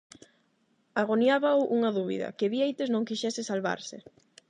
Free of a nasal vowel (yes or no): no